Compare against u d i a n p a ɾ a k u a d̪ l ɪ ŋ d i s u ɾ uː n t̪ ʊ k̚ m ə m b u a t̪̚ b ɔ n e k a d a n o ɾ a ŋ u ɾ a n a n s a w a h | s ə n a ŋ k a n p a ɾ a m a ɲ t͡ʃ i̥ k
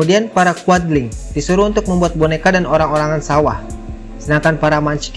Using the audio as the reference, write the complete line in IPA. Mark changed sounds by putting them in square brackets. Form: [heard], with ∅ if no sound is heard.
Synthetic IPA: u d i a n p a ɾ a k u a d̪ l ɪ ŋ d i s u ɾ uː n t̪ ʊ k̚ m ə m b u a t̪̚ b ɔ n e k a d a n o ɾ a ŋ [o] ɾ a [ŋ] a n s a w a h | s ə n a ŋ k a n p a ɾ a m a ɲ t͡ʃ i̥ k